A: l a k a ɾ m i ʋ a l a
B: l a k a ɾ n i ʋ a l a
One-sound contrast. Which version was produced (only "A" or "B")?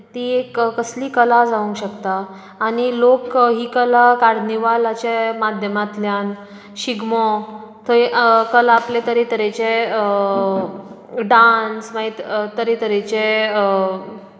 B